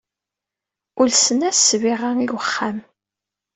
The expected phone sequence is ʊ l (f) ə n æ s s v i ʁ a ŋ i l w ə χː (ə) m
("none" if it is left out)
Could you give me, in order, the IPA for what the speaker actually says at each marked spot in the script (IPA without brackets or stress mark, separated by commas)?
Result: s, a